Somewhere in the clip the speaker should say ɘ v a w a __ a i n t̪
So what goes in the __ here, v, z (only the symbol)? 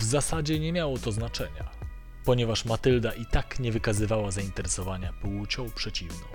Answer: z